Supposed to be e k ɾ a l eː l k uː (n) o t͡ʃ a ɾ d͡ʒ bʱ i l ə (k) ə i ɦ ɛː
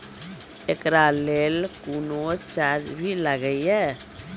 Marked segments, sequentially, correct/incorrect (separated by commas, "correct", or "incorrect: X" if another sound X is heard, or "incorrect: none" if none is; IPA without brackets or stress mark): correct, incorrect: ɡ